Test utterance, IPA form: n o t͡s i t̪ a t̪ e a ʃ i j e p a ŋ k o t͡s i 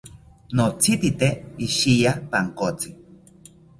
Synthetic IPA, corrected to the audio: n o t͡s i t̪ i t̪ e i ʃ i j a p a ŋ k o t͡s i